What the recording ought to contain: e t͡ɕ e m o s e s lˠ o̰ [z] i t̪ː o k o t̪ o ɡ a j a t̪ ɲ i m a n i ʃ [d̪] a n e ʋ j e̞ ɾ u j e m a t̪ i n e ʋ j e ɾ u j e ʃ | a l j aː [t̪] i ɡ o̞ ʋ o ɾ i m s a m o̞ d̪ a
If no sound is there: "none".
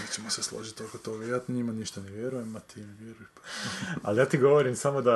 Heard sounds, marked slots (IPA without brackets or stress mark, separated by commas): ʒ, t̪, t̪